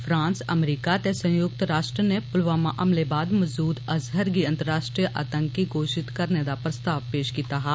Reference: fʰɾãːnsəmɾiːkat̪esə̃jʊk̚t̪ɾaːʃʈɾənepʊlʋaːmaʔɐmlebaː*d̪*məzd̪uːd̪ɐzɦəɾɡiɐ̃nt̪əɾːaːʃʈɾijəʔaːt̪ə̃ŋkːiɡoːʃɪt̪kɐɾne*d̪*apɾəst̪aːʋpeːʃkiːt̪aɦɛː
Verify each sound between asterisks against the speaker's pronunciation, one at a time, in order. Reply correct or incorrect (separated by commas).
correct, correct